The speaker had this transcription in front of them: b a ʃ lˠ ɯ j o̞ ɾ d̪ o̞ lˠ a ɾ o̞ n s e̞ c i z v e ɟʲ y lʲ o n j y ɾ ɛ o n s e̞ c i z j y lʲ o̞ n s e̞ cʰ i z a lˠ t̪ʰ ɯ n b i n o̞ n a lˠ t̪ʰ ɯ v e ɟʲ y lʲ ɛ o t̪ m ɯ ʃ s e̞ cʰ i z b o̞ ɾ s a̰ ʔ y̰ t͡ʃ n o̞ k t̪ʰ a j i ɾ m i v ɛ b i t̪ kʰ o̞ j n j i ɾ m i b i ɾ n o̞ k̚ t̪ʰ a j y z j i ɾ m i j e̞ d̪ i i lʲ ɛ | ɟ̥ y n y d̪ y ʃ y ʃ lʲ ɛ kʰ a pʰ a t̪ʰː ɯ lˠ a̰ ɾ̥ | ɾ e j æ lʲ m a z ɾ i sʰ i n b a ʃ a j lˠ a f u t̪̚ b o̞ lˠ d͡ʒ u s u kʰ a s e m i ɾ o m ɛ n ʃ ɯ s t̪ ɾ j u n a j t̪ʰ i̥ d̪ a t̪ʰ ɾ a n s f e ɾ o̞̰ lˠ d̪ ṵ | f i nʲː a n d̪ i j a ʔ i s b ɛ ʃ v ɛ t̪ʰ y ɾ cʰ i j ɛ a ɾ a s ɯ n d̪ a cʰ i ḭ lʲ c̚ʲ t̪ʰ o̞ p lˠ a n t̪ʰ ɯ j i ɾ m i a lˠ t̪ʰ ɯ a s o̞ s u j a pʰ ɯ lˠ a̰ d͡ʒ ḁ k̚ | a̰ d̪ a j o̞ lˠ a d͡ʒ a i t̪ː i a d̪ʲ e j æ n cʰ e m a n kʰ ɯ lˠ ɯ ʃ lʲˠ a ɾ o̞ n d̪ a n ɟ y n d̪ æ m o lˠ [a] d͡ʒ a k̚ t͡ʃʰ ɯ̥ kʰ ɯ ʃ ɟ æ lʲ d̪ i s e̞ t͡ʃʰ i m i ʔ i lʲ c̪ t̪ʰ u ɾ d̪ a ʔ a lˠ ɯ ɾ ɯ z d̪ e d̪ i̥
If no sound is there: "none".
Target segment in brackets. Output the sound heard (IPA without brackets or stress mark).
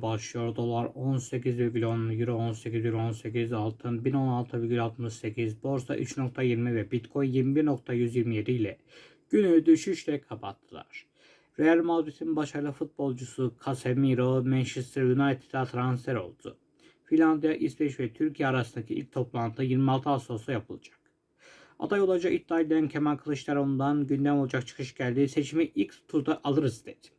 a